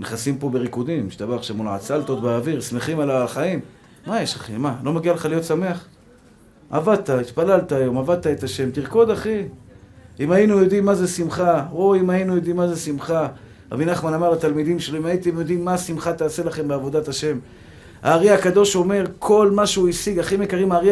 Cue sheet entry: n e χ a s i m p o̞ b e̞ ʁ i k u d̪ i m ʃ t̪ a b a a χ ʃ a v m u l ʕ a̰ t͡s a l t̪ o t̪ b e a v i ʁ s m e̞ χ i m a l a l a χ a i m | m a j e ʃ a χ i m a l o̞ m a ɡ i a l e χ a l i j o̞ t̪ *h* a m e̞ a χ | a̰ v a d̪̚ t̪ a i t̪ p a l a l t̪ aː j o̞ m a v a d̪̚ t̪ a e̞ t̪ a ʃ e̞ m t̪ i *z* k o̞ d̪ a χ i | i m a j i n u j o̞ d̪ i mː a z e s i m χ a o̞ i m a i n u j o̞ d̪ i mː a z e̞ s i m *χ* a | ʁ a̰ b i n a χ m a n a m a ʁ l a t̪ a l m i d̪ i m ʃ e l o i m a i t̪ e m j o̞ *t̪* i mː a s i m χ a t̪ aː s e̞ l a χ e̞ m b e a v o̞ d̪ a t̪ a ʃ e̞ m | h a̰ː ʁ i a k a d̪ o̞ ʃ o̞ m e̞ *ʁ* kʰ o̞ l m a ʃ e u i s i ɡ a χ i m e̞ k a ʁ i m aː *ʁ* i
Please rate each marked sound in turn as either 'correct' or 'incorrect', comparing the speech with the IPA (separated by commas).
incorrect, incorrect, correct, incorrect, correct, correct